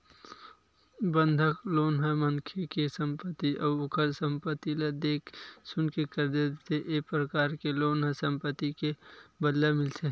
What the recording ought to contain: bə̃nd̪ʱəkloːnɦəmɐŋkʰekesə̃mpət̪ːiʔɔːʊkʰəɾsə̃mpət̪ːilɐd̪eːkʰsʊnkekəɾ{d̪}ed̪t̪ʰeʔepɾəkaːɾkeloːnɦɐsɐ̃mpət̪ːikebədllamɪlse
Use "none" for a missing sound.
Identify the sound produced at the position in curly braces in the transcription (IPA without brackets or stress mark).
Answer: d̪